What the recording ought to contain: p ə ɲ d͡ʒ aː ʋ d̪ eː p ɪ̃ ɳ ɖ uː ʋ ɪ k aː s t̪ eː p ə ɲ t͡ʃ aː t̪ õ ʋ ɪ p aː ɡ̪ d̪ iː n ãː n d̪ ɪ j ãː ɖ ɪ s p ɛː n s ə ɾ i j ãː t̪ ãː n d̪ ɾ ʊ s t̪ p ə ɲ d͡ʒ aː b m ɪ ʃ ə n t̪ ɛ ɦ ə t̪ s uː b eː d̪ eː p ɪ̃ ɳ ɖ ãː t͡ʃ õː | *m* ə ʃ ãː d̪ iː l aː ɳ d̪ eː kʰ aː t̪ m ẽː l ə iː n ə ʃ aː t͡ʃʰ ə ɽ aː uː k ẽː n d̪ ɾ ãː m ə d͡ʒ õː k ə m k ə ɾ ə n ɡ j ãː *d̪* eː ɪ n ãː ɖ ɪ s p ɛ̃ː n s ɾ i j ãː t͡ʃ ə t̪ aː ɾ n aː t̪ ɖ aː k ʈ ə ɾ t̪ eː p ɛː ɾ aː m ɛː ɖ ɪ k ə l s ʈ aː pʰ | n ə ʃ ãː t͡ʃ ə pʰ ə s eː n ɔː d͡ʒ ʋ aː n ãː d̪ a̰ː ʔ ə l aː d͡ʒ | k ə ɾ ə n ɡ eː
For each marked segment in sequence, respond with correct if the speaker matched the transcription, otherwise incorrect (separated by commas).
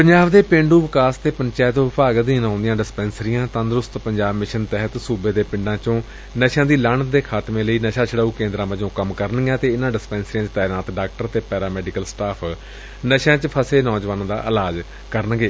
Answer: incorrect, incorrect